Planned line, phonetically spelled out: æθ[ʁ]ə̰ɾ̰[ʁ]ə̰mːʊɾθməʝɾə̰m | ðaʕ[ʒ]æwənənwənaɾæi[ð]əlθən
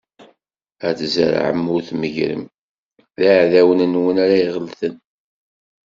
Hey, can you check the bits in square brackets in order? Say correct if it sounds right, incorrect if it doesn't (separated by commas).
incorrect, incorrect, incorrect, incorrect